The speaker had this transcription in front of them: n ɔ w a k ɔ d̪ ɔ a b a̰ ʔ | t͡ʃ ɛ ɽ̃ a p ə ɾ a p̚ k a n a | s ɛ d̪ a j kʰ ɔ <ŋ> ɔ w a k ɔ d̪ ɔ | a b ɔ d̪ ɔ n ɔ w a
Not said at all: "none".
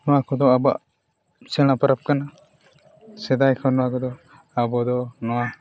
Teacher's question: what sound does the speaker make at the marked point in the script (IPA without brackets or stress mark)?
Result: n